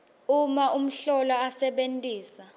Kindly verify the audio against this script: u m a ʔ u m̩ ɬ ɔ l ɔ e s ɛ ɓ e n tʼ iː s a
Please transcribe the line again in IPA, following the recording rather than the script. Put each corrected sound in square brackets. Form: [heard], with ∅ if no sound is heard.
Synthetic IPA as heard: u m a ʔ u m̩ ɬ ɔ l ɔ [a] s ɛ ɓ e n tʼ iː s a